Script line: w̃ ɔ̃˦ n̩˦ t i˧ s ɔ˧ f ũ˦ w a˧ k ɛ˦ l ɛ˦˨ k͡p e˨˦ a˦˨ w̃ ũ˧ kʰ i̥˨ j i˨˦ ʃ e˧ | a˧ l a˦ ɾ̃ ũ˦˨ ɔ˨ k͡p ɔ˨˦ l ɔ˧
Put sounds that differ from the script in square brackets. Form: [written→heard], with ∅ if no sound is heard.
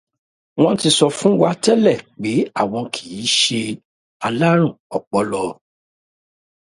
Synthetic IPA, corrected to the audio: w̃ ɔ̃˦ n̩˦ t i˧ s ɔ˧ f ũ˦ w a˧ [k→t] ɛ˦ l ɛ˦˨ k͡p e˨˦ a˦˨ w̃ [ũ˧→ɔ̃˧] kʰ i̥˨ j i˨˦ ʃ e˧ | a˧ l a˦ ɾ̃ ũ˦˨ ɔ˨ k͡p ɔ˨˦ l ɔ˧